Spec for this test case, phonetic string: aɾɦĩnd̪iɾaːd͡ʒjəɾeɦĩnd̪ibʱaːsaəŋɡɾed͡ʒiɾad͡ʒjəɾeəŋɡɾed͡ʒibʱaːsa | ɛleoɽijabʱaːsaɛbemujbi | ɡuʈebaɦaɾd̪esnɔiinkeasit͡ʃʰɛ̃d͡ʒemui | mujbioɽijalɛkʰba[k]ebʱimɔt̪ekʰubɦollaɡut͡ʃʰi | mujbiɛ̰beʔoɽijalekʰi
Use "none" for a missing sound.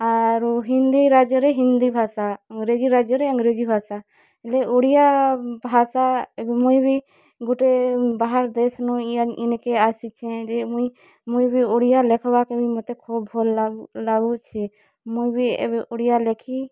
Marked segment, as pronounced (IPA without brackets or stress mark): k